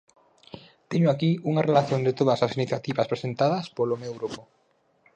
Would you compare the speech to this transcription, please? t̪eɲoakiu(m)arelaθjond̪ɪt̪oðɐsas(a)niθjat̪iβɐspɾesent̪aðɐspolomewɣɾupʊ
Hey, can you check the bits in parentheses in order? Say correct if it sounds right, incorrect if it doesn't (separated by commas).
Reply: incorrect, incorrect